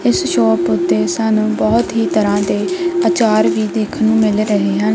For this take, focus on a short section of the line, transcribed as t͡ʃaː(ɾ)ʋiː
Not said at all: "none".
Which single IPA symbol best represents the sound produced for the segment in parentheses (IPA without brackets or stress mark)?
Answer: ɾ